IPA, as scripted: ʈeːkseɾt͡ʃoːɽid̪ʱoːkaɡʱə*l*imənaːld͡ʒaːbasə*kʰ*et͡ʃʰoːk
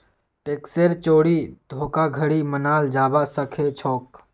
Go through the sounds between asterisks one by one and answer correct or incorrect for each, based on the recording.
incorrect, correct

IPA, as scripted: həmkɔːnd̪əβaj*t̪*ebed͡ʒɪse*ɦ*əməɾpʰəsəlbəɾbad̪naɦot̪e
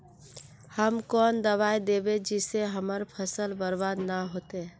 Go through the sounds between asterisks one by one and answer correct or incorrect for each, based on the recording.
incorrect, correct

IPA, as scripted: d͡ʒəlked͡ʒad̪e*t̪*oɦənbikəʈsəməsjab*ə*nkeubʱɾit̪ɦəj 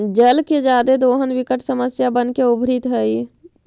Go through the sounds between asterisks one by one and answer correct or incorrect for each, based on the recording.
incorrect, correct

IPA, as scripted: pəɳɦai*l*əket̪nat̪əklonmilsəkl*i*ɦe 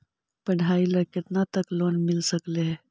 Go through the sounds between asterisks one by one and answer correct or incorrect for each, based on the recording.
correct, incorrect

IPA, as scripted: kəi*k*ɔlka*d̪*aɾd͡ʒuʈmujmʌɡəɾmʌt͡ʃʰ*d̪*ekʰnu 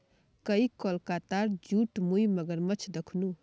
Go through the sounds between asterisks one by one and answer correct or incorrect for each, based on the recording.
correct, incorrect, correct

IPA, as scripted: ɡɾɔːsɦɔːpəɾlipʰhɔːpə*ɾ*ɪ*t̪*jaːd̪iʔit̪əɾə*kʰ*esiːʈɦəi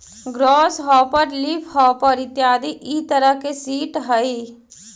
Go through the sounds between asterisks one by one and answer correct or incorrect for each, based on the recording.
correct, correct, incorrect

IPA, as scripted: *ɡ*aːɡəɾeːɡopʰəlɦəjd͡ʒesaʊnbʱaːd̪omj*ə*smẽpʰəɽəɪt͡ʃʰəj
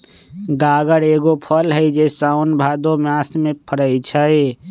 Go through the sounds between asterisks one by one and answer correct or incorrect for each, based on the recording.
correct, incorrect

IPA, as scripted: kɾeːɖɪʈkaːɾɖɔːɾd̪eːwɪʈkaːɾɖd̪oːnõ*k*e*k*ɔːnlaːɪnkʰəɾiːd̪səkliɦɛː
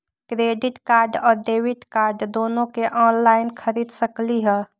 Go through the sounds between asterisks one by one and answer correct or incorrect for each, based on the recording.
correct, incorrect

